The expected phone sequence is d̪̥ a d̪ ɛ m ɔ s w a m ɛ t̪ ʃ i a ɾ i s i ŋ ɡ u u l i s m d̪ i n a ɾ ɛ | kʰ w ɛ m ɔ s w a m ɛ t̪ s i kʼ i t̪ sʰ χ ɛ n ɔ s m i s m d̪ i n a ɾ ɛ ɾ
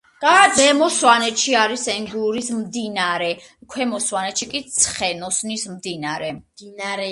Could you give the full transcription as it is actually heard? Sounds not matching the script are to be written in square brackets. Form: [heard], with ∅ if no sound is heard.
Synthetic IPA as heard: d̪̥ a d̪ ɛ m ɔ s w a [n] ɛ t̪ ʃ i a ɾ i s [ɛ] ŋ ɡ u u [ɾ] i s m d̪ i n a ɾ ɛ | kʰ w ɛ m ɔ s w a [n] ɛ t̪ [ʃ] i kʼ i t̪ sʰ χ ɛ n ɔ s [n] i s m d̪ i n a ɾ ɛ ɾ